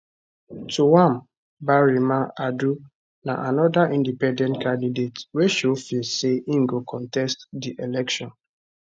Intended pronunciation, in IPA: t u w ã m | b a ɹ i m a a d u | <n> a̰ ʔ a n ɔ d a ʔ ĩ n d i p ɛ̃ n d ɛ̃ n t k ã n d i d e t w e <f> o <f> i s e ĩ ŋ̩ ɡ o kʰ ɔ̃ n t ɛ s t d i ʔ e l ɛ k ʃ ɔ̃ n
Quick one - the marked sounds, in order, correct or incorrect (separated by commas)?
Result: correct, incorrect, correct